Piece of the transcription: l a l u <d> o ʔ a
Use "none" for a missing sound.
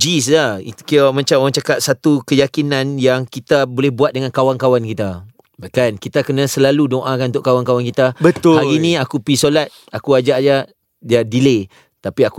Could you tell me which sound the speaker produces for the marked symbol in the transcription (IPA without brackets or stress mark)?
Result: d